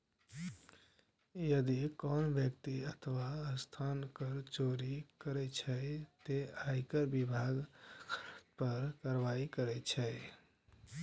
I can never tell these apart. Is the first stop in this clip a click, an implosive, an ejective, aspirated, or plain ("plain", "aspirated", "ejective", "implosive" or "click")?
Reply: plain